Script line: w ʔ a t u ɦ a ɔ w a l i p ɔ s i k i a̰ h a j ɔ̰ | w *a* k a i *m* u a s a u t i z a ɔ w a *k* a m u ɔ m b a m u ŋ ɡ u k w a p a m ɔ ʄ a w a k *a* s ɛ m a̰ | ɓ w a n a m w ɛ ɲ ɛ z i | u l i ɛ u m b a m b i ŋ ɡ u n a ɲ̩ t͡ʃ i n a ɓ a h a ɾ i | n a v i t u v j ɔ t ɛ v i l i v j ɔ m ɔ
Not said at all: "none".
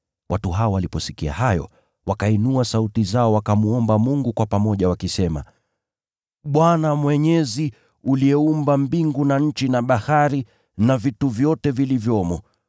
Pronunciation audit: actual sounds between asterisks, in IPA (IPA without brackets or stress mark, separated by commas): a, n, k, i